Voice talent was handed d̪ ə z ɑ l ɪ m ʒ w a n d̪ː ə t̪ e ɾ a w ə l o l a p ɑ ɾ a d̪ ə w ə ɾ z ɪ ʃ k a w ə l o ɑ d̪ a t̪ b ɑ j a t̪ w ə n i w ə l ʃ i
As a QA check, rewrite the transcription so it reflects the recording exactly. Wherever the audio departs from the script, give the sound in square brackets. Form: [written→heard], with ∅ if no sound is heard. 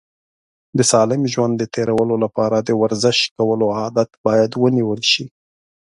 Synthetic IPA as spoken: d̪ ə [z→s] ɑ l ɪ m ʒ w a n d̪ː ə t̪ e ɾ a w ə l o l a p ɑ ɾ a d̪ ə w [ə→a] ɾ z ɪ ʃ k a w ə l o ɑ d̪ a t̪ b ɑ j a [t̪→d̪] w ə n i w ə l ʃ i